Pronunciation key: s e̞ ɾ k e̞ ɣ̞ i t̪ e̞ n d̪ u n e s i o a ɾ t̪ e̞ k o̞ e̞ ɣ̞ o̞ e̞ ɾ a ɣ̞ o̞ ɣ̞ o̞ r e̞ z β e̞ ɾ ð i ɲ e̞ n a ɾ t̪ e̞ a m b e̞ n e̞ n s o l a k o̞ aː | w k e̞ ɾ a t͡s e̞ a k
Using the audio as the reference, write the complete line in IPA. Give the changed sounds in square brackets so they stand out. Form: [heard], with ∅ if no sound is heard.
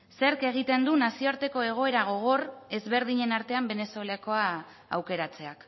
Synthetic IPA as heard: s e̞ ɾ k e̞ ɣ̞ i t̪ e̞ n d̪ u n [a] s i o a ɾ t̪ e̞ k o̞ e̞ ɣ̞ o̞ e̞ ɾ a ɣ̞ o̞ ɣ̞ o̞ r e̞ z β e̞ ɾ ð i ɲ e̞ n a ɾ t̪ e̞ a m b e̞ n e̞ [∅] s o l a k o̞ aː | w k e̞ ɾ a t͡s e̞ a k